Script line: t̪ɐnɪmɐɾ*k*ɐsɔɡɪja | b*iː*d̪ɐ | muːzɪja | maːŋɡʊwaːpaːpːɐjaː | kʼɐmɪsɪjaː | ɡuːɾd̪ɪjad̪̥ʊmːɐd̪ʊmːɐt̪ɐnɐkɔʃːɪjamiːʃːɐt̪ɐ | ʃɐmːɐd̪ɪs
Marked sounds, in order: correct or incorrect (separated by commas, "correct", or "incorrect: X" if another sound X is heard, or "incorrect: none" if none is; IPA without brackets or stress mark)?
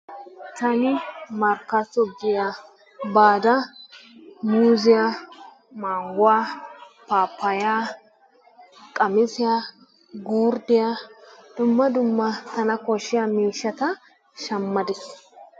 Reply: correct, incorrect: aː